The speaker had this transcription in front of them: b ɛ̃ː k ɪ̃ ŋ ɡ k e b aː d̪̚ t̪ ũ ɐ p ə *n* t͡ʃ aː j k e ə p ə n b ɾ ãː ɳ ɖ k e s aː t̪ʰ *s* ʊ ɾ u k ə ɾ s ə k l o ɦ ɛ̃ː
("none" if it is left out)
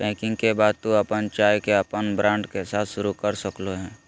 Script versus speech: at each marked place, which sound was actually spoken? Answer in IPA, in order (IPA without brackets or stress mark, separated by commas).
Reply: n, ʃ